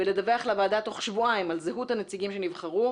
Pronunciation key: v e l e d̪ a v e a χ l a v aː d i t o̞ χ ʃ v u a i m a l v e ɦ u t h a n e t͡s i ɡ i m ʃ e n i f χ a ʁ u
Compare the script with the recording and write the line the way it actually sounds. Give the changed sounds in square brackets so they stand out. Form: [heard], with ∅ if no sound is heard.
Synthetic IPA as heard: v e l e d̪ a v e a χ l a v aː d [a] t o̞ χ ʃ v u a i m a l [z] e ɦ u t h a n e t͡s i ɡ i m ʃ e n i [v] χ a ʁ u